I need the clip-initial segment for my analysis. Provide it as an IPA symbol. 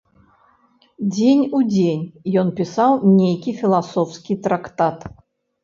d͡zʲ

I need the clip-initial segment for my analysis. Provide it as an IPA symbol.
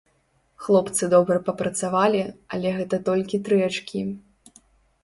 x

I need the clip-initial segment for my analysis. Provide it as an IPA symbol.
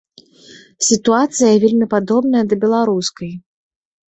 sʲ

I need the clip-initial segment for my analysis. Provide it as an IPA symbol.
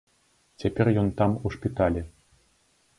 t͡sʲ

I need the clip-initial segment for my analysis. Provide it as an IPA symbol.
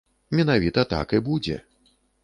mʲ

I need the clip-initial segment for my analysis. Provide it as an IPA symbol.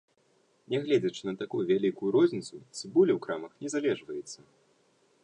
nʲ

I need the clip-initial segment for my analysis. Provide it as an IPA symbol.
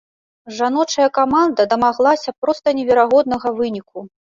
ʐ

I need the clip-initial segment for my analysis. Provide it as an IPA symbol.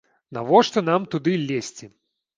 n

